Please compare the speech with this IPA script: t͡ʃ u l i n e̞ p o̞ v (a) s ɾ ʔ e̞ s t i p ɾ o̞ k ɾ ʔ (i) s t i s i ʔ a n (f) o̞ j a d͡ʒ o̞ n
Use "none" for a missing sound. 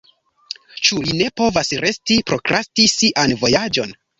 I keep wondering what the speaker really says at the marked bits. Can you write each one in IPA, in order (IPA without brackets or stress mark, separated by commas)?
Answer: a, a, v